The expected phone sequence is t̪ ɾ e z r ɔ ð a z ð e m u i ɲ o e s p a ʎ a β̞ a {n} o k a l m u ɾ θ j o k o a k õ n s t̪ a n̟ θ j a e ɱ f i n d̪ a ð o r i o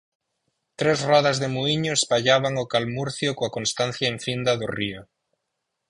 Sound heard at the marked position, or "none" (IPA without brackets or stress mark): ŋ